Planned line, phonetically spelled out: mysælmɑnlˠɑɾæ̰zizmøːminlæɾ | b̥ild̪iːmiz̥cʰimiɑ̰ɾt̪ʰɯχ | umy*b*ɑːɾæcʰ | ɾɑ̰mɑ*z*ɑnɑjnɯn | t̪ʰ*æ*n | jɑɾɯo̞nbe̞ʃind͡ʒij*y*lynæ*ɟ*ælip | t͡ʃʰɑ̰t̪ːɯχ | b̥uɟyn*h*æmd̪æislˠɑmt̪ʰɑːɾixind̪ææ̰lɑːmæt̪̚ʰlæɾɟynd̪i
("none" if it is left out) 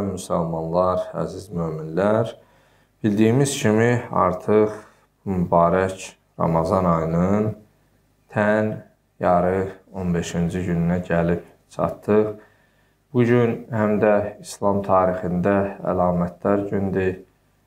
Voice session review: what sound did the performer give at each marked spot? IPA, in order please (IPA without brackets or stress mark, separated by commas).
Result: b, z, æ, y, ɟ, h